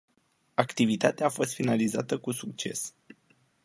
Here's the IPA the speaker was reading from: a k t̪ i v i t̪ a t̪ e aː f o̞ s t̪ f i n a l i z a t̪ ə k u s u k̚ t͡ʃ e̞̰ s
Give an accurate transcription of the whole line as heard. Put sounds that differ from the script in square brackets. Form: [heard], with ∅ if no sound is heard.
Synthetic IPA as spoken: a k t̪ i v i t̪ a t̪ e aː f o̞ s t̪ f i n a l i z a t̪ ə k u s u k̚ t͡ʃ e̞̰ s